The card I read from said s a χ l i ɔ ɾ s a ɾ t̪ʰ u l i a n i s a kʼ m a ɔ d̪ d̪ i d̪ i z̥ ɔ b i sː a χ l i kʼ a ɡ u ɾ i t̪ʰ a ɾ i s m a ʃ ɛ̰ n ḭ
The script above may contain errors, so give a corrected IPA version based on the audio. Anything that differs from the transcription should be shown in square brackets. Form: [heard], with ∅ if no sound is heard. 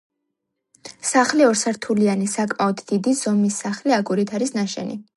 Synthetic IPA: s a χ l i ɔ ɾ s a ɾ t̪ʰ u l i a n i s a kʼ m a ɔ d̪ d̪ i d̪ i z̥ ɔ [m] i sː a χ l i [∅] a ɡ u ɾ i t̪ʰ a ɾ i s [n] a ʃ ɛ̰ n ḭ